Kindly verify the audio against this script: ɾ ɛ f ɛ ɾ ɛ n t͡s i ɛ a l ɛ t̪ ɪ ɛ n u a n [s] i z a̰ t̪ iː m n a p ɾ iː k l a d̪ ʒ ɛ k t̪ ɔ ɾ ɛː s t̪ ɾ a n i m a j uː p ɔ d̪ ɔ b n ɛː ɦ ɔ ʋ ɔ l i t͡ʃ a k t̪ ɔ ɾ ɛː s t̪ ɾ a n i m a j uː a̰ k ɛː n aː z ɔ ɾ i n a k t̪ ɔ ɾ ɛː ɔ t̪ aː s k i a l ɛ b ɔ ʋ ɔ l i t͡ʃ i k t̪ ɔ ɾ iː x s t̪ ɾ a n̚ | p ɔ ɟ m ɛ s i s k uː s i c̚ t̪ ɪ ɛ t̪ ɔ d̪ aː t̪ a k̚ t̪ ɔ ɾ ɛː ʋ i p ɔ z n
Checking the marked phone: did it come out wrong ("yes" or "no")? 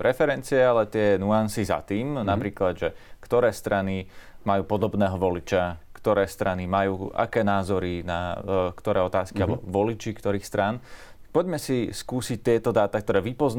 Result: no